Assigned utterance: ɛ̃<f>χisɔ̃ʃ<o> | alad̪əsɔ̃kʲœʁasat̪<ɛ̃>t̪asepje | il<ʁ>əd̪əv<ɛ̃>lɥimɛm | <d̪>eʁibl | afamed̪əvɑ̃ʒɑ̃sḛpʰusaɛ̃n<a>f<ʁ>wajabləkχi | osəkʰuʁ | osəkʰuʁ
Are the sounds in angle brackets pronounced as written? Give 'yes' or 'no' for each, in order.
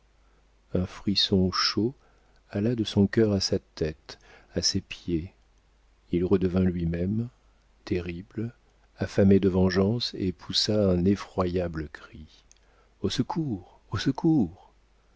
yes, yes, no, yes, yes, no, no, no

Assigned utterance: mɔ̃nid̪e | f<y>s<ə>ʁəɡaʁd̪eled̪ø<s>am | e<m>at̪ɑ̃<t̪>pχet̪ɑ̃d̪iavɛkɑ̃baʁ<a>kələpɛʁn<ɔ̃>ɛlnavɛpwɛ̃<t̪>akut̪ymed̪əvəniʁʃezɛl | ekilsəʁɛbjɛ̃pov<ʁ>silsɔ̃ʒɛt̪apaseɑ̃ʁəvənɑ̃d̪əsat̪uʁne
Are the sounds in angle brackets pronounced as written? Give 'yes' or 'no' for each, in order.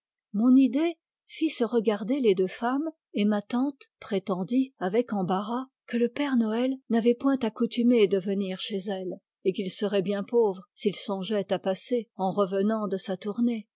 no, yes, no, yes, yes, yes, no, yes, yes

